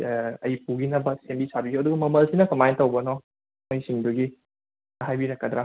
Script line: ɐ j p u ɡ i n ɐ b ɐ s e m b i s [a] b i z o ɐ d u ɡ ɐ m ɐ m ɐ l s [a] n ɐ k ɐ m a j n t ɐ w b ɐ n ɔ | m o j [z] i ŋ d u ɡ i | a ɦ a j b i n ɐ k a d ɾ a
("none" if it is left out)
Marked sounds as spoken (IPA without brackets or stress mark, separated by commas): a, i, s